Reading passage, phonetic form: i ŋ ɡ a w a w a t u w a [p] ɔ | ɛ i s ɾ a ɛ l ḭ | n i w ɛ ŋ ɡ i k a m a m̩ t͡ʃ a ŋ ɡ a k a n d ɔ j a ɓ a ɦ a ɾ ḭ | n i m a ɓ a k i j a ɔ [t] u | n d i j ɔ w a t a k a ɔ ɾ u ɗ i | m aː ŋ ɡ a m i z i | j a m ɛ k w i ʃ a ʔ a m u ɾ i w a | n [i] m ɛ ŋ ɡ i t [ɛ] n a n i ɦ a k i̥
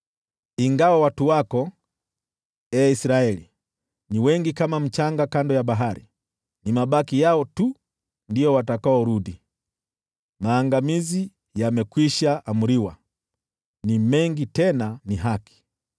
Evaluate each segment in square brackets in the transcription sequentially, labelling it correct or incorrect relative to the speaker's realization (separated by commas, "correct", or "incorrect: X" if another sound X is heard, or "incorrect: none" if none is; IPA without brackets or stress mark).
incorrect: k, correct, correct, correct